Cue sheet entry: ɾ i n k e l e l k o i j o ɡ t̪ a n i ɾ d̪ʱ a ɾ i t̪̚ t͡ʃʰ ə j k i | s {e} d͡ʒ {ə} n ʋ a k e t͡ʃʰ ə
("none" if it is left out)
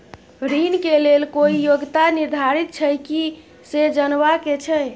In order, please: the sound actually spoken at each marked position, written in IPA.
e, ə

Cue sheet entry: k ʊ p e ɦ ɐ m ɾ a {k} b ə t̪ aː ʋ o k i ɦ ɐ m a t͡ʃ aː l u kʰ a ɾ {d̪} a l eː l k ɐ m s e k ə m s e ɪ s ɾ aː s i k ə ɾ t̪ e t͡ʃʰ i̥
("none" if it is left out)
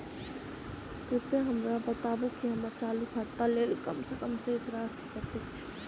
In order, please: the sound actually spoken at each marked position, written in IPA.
none, t̪

